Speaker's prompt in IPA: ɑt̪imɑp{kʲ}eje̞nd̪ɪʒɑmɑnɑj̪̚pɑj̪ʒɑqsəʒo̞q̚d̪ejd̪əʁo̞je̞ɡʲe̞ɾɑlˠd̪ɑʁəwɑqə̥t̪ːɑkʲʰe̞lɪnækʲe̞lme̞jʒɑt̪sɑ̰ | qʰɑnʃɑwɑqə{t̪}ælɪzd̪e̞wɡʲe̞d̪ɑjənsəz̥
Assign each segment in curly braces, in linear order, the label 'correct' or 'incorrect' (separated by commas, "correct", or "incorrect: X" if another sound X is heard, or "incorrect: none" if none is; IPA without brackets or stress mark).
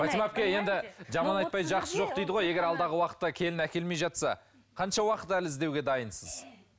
correct, correct